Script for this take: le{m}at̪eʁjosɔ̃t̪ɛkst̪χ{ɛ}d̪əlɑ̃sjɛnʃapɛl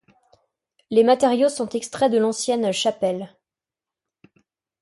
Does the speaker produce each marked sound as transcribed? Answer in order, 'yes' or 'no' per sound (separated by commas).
yes, yes